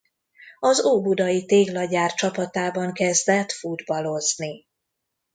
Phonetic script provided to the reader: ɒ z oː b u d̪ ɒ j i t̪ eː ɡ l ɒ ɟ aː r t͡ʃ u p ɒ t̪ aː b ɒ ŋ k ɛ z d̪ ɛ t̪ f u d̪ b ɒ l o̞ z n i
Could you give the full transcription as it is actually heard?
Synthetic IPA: ɒ z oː b u d̪ ɒ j i t̪ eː ɡ l ɒ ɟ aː r t͡ʃ ɒ p ɒ t̪ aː b ɒ ŋ k ɛ z d̪ ɛ t̪ f u d̪ b ɒ l o̞ z n i